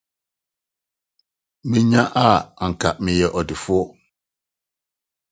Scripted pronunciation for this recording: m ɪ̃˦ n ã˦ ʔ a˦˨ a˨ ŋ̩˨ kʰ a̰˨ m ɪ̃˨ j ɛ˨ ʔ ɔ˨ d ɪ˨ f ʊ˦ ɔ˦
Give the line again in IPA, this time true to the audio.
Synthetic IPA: m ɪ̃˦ ɲ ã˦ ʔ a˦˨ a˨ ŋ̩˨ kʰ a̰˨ m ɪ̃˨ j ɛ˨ ʔ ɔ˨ d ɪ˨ f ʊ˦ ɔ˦